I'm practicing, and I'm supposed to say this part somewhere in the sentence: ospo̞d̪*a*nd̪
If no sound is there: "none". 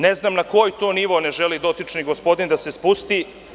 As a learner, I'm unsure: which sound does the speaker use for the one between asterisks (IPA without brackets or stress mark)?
i